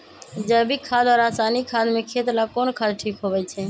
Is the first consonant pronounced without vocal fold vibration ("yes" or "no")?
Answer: no